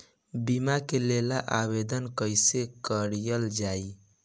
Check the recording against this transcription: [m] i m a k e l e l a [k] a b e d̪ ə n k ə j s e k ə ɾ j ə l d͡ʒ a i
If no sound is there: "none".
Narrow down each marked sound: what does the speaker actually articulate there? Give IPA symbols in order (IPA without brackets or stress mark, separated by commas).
b, ʔ